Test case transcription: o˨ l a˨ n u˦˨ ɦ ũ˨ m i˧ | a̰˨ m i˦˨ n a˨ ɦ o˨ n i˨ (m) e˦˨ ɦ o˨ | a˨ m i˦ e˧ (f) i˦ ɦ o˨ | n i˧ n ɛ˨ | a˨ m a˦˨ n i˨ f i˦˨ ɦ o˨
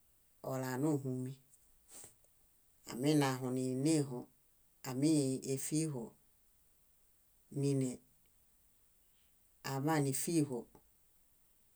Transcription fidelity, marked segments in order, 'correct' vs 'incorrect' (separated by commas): incorrect, correct